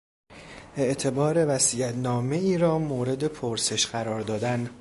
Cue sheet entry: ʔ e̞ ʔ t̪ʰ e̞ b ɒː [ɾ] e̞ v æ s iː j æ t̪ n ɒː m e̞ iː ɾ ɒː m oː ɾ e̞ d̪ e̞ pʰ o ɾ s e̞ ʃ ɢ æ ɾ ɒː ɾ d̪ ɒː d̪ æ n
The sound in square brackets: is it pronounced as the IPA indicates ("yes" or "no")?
yes